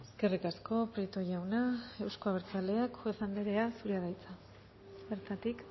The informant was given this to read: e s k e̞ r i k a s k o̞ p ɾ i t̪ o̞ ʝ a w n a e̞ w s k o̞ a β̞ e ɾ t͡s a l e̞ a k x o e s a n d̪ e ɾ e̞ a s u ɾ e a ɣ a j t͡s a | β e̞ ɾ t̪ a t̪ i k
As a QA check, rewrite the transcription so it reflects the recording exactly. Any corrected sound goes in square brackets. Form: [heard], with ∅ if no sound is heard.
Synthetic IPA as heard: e s k e̞ r i k a s k o̞ p ɾ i t̪ o̞ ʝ a w n a e̞ w s k o̞ a β̞ e ɾ t͡s a l e̞ a k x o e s a n d̪ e ɾ e̞ a s u ɾ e a [ð] a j t͡s a | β e̞ ɾ t̪ a t̪ i k